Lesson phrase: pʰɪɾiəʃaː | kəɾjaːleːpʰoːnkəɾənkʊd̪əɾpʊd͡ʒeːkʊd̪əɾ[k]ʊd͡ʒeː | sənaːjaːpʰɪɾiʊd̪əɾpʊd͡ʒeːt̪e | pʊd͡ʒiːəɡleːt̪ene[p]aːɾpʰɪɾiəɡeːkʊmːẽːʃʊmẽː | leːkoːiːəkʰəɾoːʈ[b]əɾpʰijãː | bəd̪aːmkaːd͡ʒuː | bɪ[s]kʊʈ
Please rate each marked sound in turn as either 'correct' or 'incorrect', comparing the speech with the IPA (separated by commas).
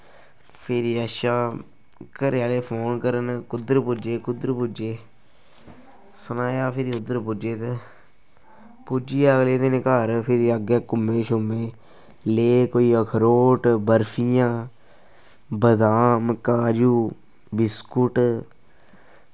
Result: incorrect, incorrect, correct, correct